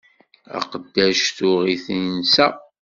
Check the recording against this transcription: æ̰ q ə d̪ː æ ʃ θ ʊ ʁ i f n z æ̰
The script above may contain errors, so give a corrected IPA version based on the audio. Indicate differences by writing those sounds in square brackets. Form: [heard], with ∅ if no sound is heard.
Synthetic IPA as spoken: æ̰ q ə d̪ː æ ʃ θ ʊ ʁ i [θ] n [s] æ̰